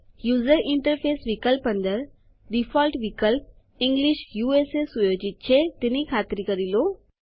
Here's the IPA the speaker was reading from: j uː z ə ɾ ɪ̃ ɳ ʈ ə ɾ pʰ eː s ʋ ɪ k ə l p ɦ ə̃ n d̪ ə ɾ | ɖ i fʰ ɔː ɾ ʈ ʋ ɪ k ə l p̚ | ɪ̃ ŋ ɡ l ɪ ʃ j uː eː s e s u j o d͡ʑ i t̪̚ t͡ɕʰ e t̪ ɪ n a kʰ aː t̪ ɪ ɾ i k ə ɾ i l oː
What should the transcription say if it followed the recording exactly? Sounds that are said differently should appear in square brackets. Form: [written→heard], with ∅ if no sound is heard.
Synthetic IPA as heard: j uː z ə ɾ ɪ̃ ɳ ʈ ə ɾ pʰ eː s ʋ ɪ k ə l p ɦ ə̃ n d̪ ə ɾ | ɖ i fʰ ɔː [ɾ→l] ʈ ʋ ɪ k ə l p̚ | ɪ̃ ŋ ɡ l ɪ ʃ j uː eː s e s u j o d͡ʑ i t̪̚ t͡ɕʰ e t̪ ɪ n [a→i] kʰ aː t̪ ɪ ɾ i k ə ɾ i l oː

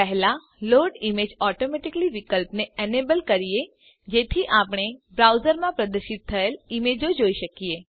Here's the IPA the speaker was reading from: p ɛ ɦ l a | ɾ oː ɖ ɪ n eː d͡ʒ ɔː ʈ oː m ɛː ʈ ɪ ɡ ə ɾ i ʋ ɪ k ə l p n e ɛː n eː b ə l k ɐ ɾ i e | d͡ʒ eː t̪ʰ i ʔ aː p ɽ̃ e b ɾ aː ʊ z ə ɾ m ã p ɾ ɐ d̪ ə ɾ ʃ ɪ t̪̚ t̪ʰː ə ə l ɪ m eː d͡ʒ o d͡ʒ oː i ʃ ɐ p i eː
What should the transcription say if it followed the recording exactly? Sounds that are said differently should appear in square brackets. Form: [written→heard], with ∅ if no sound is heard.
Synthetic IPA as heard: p ɛ ɦ l a | [ɾ→l] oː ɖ ɪ [n→m] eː d͡ʒ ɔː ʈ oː m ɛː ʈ ɪ [ɡ→k] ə [ɾ→l] i ʋ ɪ k ə l p n e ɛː n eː b ə l k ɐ ɾ i e | d͡ʒ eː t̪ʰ i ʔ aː p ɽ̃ e b ɾ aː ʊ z ə ɾ m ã p ɾ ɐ d̪ ə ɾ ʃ ɪ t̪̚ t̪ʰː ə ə l ɪ m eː d͡ʒ o d͡ʒ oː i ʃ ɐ [p→k] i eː

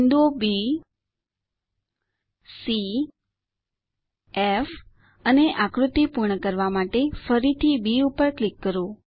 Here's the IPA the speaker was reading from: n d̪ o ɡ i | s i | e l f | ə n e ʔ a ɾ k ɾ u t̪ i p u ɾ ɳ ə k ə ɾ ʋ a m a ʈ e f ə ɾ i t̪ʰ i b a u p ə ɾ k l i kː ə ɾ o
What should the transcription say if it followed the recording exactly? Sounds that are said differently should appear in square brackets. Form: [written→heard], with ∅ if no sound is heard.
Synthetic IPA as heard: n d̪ o [ɡ→b] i | s i | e [l→∅] f | ə n e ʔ a [ɾ→∅] k ɾ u t̪ i p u ɾ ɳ ə k ə ɾ ʋ a m a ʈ e f ə ɾ i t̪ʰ i b [a→i] u p ə ɾ k l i kː ə ɾ o

